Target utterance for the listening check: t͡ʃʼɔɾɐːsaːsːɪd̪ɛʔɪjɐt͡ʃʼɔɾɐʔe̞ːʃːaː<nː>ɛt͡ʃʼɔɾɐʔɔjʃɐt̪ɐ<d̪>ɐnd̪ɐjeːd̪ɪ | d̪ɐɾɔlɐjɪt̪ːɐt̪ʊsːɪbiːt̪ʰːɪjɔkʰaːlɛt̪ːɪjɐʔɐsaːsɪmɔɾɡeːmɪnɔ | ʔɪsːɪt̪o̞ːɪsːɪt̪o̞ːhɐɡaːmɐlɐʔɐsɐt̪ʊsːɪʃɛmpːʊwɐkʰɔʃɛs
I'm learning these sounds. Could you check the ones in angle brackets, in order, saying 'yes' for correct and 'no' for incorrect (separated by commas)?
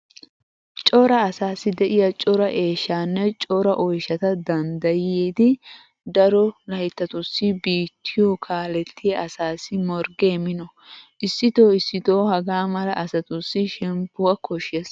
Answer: yes, yes